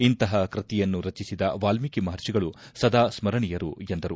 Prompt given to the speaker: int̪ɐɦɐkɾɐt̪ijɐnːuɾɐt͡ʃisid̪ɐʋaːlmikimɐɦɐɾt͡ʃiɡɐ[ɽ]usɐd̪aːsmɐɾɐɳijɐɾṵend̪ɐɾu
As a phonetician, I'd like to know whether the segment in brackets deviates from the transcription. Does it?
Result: yes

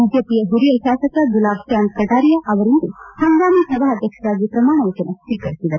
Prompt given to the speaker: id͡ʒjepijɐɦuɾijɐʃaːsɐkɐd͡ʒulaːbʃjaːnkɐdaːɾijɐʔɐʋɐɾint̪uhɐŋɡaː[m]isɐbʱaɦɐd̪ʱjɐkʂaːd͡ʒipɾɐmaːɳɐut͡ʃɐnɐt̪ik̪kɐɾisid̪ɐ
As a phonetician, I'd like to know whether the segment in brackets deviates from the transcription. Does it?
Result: no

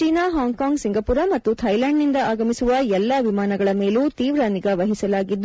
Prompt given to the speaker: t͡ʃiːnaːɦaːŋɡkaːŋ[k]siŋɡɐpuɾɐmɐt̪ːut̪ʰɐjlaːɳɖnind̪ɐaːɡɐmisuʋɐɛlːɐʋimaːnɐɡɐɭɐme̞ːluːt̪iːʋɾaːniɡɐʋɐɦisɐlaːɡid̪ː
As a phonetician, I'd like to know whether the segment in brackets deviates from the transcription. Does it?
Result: yes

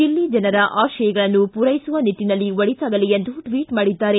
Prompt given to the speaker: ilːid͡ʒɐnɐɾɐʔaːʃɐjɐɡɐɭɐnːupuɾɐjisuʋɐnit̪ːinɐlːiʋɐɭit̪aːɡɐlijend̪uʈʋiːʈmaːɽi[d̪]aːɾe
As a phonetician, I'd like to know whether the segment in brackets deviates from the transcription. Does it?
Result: yes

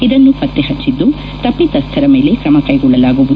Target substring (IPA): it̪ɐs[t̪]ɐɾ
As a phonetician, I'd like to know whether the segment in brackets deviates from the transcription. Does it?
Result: yes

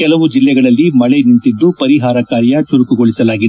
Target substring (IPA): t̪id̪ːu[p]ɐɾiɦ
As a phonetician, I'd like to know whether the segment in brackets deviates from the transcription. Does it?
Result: no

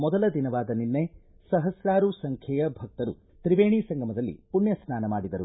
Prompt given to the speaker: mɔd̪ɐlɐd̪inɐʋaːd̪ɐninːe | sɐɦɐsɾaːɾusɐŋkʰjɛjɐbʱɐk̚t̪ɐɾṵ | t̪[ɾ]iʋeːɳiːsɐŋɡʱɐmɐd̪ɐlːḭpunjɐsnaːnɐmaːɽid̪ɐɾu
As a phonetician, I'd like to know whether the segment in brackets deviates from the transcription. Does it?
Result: no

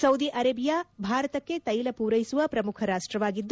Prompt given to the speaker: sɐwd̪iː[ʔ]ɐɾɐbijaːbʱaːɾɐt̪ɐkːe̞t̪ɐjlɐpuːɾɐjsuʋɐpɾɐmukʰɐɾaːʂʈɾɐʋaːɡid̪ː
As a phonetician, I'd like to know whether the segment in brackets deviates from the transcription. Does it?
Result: no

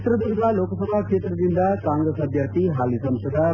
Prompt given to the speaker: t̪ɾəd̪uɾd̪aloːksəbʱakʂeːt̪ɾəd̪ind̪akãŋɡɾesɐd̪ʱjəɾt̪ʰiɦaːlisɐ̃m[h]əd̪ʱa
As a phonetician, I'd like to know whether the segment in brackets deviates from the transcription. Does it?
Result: yes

